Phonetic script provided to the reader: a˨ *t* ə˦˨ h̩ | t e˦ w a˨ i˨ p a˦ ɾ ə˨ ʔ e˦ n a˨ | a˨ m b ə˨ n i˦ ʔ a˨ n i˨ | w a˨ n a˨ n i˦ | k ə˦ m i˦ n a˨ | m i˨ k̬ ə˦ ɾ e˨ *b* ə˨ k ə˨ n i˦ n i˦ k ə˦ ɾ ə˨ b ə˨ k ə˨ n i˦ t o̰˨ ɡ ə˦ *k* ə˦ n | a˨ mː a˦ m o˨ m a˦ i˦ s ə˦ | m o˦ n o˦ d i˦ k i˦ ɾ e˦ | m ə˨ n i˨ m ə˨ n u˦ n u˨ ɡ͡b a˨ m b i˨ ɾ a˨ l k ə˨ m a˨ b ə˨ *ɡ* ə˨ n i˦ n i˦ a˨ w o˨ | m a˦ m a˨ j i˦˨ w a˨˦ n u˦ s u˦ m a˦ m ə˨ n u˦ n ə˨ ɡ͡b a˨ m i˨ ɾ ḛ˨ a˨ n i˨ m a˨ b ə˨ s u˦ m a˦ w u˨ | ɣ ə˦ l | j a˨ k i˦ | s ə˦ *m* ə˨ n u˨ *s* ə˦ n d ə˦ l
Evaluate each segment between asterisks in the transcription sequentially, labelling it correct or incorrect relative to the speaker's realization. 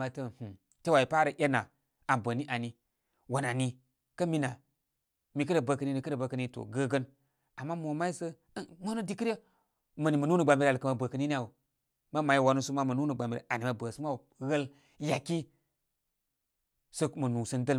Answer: correct, correct, incorrect: ɡ, incorrect: k, correct, correct

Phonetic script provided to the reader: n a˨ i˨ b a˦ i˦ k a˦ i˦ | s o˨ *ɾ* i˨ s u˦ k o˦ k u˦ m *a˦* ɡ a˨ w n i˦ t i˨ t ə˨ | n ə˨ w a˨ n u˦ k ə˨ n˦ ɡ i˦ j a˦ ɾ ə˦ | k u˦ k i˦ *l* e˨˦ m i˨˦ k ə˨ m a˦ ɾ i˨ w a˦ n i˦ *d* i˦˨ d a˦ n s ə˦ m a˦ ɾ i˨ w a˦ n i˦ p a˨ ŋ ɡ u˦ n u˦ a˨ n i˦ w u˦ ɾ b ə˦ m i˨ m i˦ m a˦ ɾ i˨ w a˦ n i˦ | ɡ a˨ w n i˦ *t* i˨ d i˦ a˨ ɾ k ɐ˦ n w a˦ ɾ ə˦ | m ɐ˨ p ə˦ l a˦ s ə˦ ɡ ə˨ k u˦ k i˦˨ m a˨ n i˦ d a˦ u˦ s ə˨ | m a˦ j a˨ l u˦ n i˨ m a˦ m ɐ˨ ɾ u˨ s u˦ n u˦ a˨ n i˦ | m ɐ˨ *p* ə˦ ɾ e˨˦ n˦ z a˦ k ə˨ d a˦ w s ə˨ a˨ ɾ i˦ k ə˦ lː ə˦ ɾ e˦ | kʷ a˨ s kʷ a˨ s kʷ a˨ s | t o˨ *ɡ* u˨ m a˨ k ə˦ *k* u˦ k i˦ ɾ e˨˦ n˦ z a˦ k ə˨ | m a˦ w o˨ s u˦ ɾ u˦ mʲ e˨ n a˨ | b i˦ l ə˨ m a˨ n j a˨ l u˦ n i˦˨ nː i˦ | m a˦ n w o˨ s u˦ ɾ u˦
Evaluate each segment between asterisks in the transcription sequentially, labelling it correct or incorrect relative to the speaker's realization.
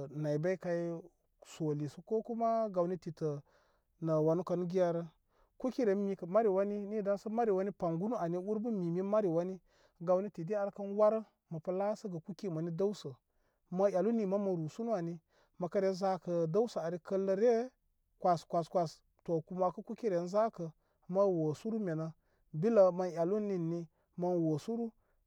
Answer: incorrect: l, correct, incorrect: ɾ, incorrect: n, correct, incorrect: k, incorrect: k, correct

